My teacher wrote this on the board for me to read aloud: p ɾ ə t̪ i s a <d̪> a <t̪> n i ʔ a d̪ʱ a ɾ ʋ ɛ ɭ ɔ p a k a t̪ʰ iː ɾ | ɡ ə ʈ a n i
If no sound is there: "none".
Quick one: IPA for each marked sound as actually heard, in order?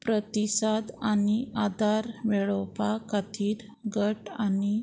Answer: d̪, none

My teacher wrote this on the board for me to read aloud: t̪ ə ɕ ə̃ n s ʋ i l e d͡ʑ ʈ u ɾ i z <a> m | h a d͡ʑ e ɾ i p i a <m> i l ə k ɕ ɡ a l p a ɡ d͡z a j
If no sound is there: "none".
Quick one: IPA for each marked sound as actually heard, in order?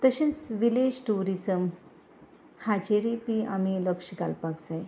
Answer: ə, m

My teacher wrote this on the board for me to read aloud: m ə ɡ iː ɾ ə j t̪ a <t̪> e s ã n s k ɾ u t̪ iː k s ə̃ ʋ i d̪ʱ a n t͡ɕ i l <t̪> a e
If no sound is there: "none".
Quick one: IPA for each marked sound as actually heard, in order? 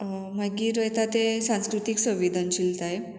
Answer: t̪, t̪

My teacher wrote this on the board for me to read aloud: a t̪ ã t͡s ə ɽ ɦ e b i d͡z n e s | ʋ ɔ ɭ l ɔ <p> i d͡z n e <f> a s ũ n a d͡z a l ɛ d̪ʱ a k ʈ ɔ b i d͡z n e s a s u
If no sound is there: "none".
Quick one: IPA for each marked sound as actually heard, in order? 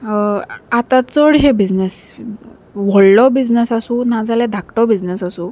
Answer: b, s

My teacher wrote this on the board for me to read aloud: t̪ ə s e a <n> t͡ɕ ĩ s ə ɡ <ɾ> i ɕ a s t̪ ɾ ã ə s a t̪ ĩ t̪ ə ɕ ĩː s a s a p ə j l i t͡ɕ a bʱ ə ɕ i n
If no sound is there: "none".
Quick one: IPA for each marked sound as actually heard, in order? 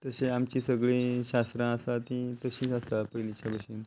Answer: m, ɭ

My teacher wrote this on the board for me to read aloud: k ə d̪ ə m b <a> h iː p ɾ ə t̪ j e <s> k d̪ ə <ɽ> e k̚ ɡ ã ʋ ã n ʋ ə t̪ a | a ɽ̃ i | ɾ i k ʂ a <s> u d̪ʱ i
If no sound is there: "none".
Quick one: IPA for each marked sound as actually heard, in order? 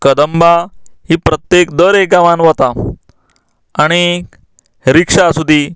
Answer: a, none, ɾ, s

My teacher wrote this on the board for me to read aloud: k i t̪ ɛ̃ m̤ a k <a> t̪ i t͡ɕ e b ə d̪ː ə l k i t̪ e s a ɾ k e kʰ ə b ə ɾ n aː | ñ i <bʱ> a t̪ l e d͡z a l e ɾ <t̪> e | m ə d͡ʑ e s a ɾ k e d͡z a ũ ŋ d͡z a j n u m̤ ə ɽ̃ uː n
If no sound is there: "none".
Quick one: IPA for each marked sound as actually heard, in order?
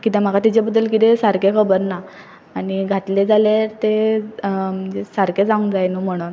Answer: a, ɡʱ, t̪

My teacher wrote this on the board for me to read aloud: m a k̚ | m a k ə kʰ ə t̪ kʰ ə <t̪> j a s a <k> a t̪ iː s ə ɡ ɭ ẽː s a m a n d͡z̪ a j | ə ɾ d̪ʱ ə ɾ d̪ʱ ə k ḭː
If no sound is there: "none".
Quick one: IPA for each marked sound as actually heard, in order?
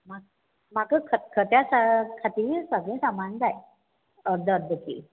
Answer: t̪, kʰ

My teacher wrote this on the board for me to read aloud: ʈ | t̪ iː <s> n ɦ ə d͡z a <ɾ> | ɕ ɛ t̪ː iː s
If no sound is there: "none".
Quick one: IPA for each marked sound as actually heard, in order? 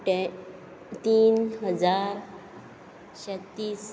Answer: none, ɾ

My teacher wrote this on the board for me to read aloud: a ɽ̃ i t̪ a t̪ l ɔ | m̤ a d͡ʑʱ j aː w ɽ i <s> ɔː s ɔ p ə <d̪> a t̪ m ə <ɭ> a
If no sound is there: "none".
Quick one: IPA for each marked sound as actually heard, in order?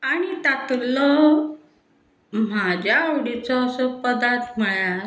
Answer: t͡s, d̪, ɭ

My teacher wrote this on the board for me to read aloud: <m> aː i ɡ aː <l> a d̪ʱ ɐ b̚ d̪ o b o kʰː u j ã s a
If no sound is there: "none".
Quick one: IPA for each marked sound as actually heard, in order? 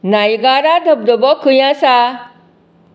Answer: n, ɾ

